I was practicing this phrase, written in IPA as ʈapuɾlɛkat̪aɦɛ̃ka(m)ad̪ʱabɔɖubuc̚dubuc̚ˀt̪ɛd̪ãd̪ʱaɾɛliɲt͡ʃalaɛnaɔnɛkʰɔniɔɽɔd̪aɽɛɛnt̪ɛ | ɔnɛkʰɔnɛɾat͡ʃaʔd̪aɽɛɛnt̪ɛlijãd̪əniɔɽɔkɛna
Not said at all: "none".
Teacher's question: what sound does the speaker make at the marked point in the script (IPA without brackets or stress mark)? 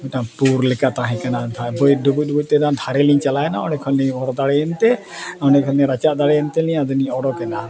n